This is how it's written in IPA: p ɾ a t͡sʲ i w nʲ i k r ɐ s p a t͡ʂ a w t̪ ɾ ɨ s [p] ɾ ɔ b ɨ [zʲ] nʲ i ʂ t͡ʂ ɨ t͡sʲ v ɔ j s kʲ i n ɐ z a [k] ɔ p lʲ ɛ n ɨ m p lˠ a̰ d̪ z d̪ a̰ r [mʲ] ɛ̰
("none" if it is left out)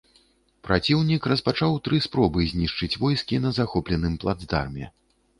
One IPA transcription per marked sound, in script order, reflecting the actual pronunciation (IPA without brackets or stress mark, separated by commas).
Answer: p, zʲ, x, mʲ